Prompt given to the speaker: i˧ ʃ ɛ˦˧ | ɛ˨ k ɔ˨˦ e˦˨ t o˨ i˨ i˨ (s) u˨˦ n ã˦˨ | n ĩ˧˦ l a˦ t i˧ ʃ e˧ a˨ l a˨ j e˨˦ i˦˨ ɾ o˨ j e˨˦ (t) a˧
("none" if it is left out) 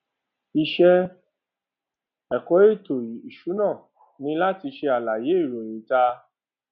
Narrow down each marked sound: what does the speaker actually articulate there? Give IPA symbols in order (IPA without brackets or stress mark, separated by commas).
ʃ, t